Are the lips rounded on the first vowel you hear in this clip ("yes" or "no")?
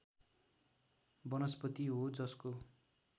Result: no